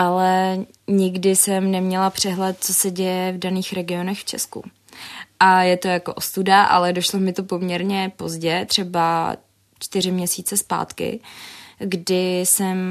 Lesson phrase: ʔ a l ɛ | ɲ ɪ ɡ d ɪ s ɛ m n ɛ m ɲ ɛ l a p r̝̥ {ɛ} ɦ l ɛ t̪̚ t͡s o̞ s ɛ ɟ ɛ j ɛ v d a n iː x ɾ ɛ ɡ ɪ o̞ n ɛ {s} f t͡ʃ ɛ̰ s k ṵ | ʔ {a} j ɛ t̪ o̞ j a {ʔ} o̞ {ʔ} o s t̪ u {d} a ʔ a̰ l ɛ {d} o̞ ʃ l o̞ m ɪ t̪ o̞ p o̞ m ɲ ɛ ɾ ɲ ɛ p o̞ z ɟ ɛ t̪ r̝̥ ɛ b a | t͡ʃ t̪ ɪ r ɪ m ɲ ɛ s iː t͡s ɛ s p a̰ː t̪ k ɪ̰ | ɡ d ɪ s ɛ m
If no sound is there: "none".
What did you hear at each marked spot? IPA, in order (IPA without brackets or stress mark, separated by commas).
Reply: ɛ, x, a, k, ʔ, d, d